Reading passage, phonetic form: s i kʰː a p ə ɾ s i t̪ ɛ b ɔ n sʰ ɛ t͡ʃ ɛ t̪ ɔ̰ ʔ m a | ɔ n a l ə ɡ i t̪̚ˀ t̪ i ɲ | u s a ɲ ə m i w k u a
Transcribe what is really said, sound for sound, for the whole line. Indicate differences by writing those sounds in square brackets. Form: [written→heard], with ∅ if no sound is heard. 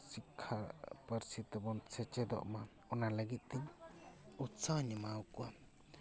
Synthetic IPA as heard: s i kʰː a p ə ɾ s i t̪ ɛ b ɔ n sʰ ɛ t͡ʃ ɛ [t̪→d̪] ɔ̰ ʔ m a | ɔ n a l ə ɡ i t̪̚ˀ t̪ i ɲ | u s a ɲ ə m [i→a] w k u a